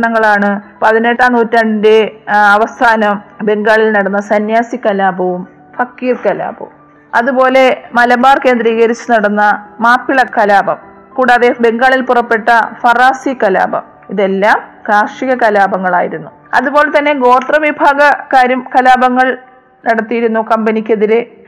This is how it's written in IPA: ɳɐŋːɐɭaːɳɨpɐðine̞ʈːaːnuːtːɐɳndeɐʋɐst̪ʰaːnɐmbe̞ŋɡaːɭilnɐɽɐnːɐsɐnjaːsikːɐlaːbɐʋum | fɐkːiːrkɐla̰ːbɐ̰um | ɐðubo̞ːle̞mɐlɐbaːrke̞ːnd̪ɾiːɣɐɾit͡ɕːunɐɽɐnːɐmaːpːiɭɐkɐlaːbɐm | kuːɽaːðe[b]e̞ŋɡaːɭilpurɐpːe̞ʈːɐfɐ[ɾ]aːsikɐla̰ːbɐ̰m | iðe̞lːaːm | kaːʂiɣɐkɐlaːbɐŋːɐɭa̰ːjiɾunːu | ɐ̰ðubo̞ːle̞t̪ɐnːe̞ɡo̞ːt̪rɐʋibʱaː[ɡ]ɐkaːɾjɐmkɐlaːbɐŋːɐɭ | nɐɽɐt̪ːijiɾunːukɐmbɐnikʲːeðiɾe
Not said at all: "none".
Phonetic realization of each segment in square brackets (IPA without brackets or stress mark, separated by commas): b, r, ɡ